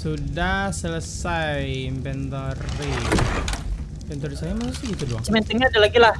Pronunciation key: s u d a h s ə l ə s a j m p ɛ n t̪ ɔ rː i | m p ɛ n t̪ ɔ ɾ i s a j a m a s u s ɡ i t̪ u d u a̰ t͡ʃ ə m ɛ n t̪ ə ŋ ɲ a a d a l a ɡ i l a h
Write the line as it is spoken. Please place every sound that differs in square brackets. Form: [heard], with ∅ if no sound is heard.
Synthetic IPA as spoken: s u d a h s ə l ə s a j m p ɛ n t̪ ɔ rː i | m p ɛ n t̪ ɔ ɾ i s a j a m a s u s ɡ i t̪ u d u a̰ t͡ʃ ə m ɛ n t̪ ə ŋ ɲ a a d a l a ɡ i l a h